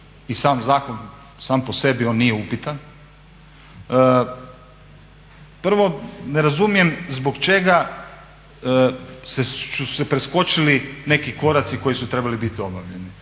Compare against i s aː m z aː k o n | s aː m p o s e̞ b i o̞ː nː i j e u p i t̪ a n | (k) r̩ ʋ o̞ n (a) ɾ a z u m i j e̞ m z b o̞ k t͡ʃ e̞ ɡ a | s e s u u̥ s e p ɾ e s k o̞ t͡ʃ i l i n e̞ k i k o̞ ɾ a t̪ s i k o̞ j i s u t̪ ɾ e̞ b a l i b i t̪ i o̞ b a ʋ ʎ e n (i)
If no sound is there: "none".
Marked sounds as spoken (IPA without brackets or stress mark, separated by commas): p, e, i